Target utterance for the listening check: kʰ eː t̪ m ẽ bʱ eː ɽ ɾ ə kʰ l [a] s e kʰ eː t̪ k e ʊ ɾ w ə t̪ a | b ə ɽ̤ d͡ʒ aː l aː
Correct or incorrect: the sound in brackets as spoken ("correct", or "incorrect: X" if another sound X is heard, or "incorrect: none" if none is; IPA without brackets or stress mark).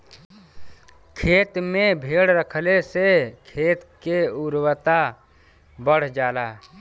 incorrect: e